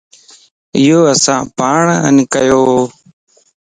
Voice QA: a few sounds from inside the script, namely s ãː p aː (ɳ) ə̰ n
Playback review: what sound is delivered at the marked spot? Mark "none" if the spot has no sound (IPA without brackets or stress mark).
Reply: ɳ